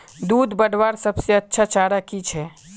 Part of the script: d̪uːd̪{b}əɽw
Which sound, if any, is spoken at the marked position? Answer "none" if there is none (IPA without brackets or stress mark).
b